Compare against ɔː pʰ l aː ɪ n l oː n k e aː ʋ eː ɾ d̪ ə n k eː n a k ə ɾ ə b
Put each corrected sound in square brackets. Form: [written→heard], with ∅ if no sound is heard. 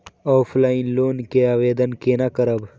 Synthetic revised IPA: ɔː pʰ l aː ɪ n l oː n k e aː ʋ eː [ɾ→∅] d̪ ə n k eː n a k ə ɾ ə b